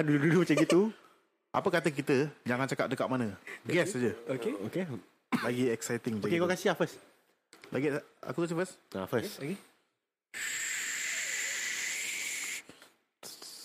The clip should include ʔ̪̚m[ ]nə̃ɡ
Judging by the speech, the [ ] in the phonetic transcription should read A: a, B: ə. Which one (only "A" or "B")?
A